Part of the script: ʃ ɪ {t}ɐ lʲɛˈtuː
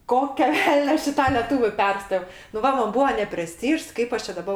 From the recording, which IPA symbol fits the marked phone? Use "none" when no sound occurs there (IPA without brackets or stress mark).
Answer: t